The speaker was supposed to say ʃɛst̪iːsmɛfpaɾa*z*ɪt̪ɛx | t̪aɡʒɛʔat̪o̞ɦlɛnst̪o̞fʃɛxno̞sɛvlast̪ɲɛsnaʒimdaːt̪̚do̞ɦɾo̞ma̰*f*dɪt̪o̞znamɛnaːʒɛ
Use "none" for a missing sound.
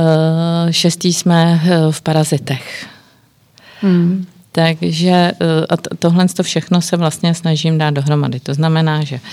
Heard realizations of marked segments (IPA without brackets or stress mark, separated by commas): z, none